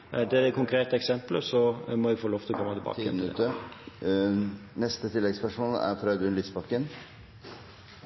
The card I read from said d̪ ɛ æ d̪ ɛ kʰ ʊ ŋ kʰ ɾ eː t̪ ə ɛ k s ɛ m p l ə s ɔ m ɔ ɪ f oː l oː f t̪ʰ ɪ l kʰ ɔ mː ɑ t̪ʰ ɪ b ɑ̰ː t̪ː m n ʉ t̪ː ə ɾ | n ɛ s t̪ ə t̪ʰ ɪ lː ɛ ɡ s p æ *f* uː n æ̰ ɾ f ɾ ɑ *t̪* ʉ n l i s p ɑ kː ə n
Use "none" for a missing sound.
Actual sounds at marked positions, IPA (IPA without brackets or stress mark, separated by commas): ʂ, d̪